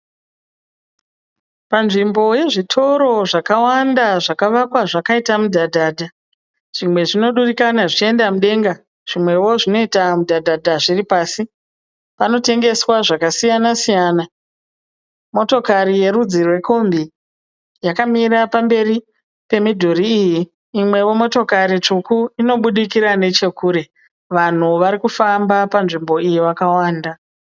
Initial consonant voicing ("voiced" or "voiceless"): voiceless